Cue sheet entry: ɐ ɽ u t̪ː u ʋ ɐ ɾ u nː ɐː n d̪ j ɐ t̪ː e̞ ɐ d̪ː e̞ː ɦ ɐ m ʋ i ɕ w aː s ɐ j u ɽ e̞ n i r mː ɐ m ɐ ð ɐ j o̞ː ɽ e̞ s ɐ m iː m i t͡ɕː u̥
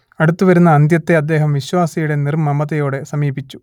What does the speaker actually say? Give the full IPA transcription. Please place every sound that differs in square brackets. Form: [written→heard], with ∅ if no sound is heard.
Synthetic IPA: ɐ ɽ u t̪ː u ʋ ɐ ɾ u nː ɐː n d̪ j ɐ t̪ː e̞ ɐ d̪ː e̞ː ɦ ɐ m ʋ i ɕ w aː s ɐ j u ɽ e̞ n i r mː ɐ m ɐ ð ɐ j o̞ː ɽ e̞ s ɐ m iː [m→b] i t͡ɕː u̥

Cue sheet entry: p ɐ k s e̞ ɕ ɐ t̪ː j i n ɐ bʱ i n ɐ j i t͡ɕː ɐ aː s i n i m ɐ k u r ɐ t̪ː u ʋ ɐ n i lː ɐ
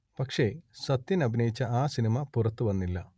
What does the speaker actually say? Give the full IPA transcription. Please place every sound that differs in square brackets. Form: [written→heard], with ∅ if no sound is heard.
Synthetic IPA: p ɐ k [s→ʂ] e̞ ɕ ɐ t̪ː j i n ɐ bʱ i n ɐ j i t͡ɕː ɐ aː s i n i m ɐ [k→p] u r ɐ t̪ː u ʋ ɐ [n→nː] i lː ɐ

